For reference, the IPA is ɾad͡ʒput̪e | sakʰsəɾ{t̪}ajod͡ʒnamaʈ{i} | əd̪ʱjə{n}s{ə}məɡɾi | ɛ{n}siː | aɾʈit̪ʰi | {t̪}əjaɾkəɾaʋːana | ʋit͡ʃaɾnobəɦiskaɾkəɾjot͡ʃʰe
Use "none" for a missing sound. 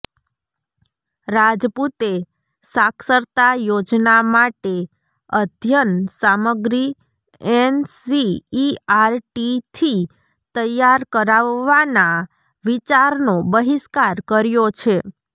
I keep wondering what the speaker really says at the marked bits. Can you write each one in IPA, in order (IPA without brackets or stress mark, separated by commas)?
t̪, e, n, a, n, t̪